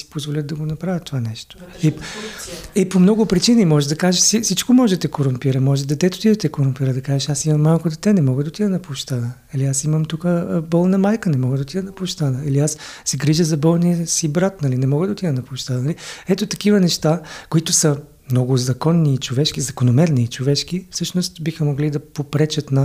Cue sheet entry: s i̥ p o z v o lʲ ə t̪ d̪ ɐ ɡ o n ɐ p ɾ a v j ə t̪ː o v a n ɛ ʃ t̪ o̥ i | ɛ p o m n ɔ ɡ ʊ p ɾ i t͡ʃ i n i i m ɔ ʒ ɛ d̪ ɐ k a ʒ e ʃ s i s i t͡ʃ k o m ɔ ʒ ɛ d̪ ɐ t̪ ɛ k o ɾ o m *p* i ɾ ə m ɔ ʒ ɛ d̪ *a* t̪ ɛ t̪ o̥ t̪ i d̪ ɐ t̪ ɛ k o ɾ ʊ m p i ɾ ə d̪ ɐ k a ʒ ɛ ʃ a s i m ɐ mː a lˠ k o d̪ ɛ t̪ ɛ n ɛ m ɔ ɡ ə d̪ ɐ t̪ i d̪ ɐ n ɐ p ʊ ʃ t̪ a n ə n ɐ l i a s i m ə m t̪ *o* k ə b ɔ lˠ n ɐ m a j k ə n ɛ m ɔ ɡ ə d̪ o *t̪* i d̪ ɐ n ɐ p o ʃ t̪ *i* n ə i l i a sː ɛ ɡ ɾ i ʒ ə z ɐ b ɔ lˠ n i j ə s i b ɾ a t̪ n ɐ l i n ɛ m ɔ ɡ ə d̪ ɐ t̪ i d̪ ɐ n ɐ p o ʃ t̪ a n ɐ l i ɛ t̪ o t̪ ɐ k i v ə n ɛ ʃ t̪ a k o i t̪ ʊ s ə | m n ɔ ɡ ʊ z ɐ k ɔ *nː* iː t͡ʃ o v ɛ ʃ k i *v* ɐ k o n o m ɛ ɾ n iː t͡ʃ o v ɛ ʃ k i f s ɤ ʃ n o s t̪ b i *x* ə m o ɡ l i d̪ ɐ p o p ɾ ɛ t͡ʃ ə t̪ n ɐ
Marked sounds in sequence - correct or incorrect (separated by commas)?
correct, incorrect, incorrect, correct, incorrect, correct, incorrect, correct